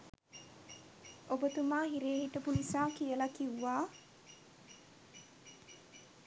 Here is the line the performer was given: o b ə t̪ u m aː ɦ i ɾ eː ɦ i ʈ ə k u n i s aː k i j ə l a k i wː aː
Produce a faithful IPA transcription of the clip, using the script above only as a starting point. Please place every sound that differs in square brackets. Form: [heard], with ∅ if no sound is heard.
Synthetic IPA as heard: o b ə t̪ u m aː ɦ i ɾ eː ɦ i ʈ ə [p] u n i s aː k i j ə l a k i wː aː